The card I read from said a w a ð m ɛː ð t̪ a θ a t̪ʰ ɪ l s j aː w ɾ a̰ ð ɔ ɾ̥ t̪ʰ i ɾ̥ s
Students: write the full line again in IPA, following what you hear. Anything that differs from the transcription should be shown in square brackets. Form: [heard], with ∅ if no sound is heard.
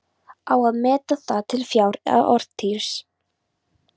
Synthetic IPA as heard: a w a ð m ɛː [∅] t̪ a θ a t̪ʰ ɪ l [f] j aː w ɾ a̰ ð ɔ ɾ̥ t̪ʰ i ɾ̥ s